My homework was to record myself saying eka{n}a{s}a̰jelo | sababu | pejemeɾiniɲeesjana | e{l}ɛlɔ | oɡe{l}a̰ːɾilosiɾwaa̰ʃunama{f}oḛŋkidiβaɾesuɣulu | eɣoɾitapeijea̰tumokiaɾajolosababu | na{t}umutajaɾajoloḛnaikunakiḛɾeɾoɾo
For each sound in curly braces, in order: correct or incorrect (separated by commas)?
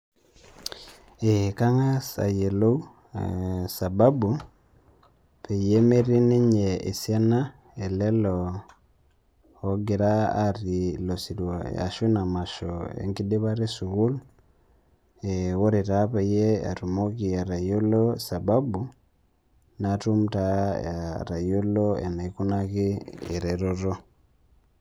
incorrect, correct, correct, incorrect, incorrect, correct